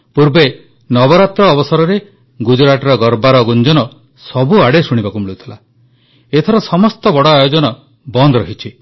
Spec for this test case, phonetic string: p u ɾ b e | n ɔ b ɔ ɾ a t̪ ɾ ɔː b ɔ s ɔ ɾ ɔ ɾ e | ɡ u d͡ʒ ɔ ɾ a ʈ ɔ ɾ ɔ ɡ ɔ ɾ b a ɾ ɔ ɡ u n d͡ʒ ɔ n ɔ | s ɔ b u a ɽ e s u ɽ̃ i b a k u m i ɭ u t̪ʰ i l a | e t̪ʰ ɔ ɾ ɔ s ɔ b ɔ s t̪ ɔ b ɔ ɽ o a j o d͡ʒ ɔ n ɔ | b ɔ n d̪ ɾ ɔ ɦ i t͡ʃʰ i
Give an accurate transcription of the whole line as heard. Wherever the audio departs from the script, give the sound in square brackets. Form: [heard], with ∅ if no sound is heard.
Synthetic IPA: p u ɾ b e | n ɔ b ɔ ɾ a t̪ ɾ ɔː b ɔ s ɔ ɾ ɔ ɾ e | ɡ u d͡ʒ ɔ ɾ a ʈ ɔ ɾ ɔ ɡ ɔ ɾ b a ɾ ɔ ɡ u n d͡ʒ ɔ n ɔ | s ɔ b u a ɽ e s u ɽ̃ i b a k u m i ɭ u t̪ʰ i l a | e t̪ʰ ɔ ɾ ɔ s ɔ [m] ɔ s t̪ ɔ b ɔ ɽ [ɔ] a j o d͡ʒ ɔ n ɔ | b ɔ n d̪ ɾ ɔ ɦ i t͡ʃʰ i